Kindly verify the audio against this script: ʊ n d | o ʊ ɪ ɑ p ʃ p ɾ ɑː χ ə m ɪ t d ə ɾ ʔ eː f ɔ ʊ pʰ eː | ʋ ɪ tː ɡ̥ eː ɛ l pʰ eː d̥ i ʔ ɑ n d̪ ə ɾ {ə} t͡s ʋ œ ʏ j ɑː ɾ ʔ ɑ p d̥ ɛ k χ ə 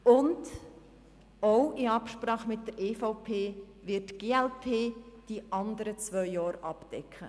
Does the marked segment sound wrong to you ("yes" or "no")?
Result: no